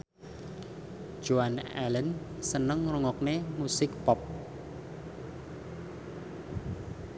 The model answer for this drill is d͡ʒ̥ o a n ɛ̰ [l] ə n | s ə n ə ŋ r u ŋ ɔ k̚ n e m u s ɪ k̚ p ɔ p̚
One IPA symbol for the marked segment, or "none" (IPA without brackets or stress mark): l